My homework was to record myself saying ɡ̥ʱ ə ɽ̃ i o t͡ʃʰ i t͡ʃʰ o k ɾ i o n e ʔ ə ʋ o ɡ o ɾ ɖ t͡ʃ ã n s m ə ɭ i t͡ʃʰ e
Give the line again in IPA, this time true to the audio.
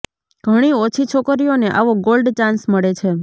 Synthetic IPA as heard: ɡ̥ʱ ə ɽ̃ i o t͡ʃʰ i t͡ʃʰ o k ɾ i o n e ʔ a ʋ o ɡ o l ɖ t͡ʃ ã n s m ə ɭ e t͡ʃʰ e